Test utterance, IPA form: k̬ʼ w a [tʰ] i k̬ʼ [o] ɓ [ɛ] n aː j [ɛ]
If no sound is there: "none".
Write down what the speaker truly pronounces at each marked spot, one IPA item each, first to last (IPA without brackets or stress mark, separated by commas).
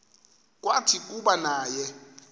tʰ, u, a, ɛ